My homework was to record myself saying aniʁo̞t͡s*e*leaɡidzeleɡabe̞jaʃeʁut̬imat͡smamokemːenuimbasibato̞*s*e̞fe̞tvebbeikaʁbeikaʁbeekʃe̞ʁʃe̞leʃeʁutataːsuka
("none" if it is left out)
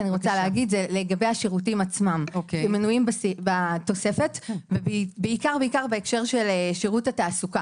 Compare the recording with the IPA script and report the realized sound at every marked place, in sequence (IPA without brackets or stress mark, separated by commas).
a, s